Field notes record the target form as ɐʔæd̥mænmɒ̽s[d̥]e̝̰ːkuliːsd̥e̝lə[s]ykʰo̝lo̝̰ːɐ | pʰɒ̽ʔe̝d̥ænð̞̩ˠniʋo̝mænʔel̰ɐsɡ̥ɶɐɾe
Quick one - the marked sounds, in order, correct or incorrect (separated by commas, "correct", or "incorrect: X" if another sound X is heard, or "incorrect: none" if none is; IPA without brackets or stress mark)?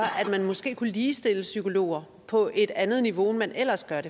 incorrect: ɡ̥, correct